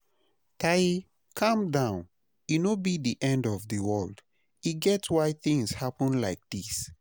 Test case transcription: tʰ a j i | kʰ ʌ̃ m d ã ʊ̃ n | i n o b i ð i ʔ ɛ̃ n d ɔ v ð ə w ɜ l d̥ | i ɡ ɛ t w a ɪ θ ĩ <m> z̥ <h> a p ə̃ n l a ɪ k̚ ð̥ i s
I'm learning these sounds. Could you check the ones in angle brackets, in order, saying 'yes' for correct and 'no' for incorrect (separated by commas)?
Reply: no, yes